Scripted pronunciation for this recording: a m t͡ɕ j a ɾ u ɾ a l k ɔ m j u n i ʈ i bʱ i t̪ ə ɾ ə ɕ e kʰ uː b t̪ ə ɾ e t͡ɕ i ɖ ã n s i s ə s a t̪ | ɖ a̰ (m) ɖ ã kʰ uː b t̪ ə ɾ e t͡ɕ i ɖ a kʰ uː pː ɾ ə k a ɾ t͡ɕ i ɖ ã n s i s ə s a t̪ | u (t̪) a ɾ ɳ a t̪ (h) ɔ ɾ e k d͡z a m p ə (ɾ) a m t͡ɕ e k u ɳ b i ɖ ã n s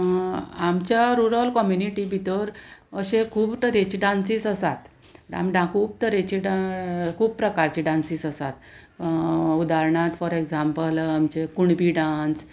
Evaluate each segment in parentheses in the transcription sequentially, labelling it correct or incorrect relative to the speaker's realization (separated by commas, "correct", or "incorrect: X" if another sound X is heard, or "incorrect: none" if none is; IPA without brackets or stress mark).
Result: correct, incorrect: d̪, incorrect: f, incorrect: l